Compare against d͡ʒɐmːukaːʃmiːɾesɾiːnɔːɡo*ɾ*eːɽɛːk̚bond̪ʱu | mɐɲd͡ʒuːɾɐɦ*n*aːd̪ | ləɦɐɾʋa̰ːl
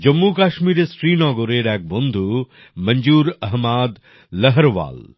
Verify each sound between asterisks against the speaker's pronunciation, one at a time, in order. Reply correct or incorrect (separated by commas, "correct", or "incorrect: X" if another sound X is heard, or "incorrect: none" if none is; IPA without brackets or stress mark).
correct, incorrect: m